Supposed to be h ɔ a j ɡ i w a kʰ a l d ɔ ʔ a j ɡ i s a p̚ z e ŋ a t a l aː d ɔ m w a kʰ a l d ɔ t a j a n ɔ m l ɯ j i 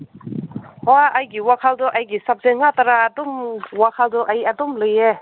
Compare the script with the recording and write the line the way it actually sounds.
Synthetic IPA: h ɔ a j ɡ i w a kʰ a l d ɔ ʔ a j ɡ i s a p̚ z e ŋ a t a ɾ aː d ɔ m w a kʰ a l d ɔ ʔ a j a d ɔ m l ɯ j e